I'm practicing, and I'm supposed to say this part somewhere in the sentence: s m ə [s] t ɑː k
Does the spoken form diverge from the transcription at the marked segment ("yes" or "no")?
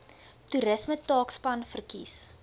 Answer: yes